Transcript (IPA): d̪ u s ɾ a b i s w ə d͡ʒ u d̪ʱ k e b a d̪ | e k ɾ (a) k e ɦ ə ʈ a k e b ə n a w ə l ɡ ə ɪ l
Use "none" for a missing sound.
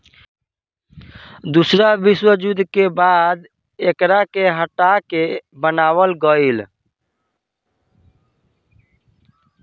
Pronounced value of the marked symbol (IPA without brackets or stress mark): a